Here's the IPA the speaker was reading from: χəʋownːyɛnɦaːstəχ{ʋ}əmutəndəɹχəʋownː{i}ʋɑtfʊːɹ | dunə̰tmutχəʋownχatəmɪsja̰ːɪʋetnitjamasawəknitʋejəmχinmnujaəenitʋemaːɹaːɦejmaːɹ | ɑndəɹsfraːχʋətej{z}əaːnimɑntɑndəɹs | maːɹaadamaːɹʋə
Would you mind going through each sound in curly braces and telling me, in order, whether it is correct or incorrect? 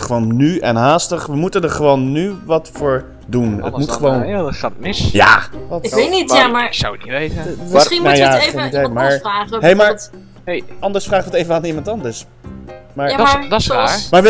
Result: correct, incorrect: y, incorrect: v

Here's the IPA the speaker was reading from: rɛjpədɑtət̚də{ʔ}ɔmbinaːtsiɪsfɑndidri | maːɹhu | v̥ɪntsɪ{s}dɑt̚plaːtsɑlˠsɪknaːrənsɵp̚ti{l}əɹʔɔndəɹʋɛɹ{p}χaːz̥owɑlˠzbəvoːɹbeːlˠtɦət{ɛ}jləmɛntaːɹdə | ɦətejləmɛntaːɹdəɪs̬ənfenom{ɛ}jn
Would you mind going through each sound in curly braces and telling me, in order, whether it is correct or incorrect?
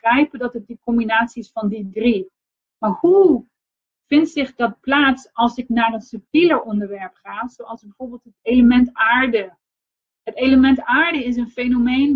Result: incorrect: k, incorrect: χ, correct, correct, incorrect: e, incorrect: e

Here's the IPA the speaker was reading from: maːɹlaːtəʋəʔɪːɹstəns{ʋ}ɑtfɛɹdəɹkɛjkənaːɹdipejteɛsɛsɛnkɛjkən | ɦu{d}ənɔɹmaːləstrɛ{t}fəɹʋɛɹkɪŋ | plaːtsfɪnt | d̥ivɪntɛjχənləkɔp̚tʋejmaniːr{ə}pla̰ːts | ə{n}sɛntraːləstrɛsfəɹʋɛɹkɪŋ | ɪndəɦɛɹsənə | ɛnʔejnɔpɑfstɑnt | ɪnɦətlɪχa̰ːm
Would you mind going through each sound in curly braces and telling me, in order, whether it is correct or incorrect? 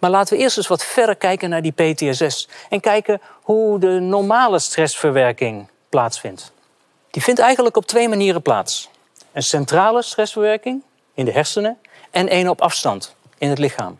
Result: correct, correct, incorrect: s, correct, correct

